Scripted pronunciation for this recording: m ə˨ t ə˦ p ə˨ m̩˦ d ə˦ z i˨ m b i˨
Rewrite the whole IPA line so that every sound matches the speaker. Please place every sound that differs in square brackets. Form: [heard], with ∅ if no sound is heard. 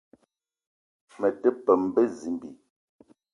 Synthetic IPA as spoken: m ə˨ t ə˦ p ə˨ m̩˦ [b] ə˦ z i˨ m b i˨